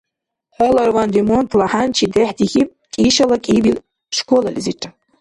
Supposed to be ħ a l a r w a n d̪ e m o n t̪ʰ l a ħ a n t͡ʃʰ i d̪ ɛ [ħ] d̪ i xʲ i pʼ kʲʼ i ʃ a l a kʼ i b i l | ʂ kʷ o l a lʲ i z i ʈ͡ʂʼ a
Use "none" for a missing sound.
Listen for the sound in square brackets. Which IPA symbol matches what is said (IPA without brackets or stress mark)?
ħ